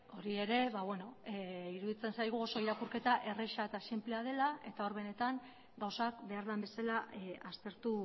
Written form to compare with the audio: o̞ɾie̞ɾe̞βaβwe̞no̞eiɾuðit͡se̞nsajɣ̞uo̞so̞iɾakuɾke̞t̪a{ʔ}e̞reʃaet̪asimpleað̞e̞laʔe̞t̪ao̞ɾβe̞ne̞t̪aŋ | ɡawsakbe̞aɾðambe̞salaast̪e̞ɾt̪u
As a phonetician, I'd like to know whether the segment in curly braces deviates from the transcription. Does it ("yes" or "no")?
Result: no